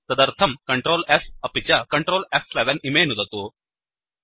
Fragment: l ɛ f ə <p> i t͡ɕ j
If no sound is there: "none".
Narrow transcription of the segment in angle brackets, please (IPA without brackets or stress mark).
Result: p